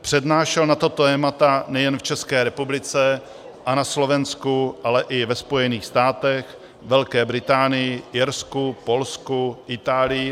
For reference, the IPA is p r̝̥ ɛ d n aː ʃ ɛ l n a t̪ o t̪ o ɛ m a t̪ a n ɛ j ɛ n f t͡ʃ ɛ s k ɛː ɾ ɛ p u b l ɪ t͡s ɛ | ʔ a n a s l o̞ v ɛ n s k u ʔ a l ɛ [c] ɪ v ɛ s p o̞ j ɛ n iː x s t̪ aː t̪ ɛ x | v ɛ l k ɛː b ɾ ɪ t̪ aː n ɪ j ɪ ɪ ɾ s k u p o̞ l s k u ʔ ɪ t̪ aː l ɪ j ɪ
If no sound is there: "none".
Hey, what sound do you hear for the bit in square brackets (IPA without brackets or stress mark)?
ʔ